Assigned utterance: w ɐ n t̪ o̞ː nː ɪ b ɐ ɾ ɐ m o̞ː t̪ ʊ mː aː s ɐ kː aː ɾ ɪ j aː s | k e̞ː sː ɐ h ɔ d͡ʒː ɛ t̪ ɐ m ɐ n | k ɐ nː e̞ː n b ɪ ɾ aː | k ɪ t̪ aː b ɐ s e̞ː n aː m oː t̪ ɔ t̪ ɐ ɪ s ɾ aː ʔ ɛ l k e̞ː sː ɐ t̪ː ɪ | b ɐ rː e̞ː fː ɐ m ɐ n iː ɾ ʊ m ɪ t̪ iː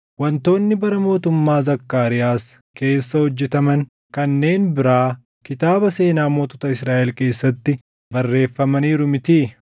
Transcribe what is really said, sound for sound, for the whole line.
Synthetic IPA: w ɐ n t̪ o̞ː nː ɪ b ɐ ɾ ɐ m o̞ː t̪ ʊ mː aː z ɐ kː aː ɾ ɪ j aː s | k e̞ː sː ɐ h ɔ d͡ʒː ɛ t̪ ɐ m ɐ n | k ɐ nː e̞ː n b ɪ ɾ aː | k ɪ t̪ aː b ɐ s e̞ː n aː m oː t̪ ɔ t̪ ɐ ɪ s ɾ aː ʔ ɛ l k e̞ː sː ɐ t̪ː ɪ | b ɐ rː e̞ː fː ɐ m ɐ n iː ɾ ʊ m ɪ t̪ iː